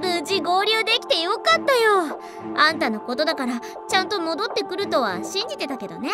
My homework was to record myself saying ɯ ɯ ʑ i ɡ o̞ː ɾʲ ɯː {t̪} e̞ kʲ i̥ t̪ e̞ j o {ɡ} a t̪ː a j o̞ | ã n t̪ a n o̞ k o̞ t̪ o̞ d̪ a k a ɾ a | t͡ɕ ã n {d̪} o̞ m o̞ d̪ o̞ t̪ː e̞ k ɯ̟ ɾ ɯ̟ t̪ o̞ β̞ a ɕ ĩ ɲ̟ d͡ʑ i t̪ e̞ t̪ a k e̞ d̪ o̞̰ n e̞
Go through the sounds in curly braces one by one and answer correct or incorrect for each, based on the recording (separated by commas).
incorrect, incorrect, incorrect